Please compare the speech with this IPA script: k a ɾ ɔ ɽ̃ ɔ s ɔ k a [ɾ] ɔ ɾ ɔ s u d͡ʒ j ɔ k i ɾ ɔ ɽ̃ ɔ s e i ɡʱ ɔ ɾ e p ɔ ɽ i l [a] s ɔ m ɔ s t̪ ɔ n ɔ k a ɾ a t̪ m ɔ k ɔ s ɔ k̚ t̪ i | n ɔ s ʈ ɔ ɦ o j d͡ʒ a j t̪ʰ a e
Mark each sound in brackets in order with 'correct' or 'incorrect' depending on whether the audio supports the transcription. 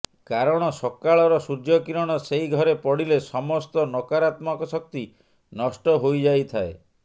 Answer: incorrect: ɭ, incorrect: e

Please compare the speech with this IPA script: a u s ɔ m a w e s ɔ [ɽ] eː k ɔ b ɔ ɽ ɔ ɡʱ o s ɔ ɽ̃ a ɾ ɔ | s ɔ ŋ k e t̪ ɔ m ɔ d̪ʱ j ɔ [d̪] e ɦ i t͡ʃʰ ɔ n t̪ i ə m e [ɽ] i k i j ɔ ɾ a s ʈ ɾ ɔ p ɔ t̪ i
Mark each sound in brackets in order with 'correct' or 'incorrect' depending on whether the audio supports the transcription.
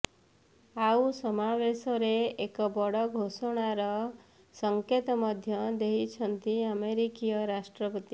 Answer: incorrect: ɾ, correct, incorrect: ɾ

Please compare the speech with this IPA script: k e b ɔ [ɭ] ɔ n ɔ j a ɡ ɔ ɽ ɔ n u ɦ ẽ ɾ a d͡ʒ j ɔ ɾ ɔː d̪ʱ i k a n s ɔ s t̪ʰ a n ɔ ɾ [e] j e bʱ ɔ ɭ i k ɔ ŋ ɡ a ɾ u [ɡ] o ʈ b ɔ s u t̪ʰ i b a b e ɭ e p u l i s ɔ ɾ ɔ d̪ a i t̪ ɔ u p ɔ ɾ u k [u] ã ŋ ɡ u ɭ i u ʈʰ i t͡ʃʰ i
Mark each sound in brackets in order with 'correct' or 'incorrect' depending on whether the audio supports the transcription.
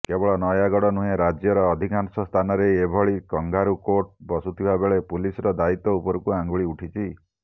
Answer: correct, correct, incorrect: k, correct

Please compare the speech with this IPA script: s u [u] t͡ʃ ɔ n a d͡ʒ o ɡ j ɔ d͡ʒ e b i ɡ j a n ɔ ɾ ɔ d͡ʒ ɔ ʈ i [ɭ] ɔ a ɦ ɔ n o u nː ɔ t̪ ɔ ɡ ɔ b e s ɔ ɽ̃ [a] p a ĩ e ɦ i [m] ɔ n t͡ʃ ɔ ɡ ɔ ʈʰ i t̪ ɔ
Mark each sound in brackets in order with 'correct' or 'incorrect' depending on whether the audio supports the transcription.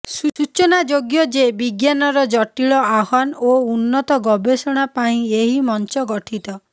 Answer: correct, correct, correct, correct

